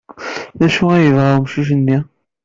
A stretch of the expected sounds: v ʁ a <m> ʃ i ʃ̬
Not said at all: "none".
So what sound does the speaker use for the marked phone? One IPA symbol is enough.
m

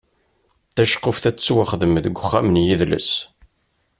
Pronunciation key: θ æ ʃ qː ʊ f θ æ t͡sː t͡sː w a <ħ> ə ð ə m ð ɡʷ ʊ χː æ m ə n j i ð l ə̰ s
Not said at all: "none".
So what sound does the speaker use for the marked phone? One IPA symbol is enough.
χ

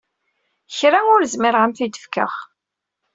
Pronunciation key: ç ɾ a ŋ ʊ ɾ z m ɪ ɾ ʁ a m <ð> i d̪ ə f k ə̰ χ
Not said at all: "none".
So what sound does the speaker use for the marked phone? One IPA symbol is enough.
θ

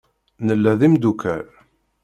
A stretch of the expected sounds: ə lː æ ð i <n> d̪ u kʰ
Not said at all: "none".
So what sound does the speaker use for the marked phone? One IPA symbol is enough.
m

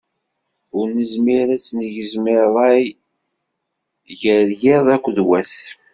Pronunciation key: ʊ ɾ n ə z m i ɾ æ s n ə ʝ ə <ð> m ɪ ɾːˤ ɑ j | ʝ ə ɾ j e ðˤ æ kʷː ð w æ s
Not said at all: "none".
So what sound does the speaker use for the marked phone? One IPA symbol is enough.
z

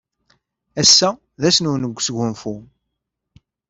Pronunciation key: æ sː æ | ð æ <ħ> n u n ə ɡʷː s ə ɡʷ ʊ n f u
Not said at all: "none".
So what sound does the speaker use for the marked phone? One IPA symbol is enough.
s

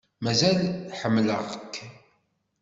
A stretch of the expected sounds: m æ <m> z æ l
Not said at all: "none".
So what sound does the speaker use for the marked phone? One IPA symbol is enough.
none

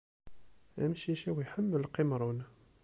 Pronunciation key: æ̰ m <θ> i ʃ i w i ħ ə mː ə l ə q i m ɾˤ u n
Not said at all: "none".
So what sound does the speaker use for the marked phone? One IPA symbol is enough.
ʃ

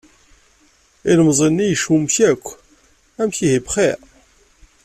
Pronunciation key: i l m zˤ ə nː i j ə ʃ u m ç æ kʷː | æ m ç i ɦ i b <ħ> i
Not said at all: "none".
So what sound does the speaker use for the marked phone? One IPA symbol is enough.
χ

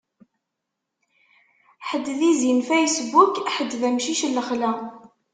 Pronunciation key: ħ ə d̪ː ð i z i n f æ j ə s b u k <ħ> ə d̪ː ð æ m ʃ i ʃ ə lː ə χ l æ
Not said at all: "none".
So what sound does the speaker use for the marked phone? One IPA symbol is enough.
ħ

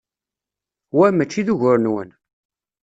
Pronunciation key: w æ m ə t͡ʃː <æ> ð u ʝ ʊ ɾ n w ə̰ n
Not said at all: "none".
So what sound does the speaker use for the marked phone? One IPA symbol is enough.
i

